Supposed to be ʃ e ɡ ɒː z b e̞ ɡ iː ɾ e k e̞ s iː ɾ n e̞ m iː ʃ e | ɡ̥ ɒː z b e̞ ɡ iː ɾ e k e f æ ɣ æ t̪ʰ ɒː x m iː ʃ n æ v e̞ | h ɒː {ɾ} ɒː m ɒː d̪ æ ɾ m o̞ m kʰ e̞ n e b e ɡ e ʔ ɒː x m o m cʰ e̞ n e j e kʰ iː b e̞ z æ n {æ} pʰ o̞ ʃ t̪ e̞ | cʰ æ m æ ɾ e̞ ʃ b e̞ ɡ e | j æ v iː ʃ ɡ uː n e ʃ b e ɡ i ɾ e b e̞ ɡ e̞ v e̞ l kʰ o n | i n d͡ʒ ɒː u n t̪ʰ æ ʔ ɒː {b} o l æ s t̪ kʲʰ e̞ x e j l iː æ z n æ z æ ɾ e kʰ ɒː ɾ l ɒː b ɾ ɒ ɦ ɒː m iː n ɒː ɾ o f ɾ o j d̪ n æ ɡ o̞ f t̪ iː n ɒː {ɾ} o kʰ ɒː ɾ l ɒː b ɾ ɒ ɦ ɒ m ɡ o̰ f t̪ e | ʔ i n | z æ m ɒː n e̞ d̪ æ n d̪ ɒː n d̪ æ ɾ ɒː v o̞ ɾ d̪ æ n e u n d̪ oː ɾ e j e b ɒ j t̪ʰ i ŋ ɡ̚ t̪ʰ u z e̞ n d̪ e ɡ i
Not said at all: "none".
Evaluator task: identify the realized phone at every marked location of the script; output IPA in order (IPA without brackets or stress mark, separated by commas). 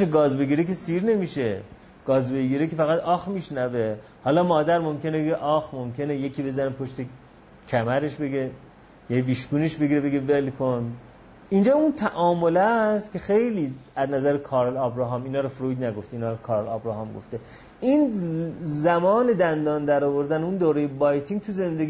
l, e, m, ɾ